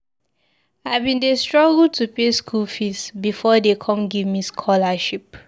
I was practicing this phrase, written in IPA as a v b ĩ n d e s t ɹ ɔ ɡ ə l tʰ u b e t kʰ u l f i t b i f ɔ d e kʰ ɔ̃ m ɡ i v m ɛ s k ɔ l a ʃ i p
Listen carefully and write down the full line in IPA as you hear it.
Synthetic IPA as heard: a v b ĩ n d e s t ɹ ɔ ɡ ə l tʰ u p e s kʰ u l f i s b i f ɔ d e kʰ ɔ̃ m ɡ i v m i s kʰ ɔ l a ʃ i p